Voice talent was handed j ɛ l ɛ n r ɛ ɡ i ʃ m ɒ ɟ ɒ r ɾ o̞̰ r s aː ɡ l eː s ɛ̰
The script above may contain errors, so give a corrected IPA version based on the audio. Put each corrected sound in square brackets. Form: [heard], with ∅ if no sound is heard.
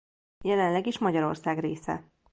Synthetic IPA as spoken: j ɛ l ɛ n [l] ɛ ɡ i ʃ m ɒ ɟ ɒ [∅] ɾ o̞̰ r s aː ɡ [r] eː s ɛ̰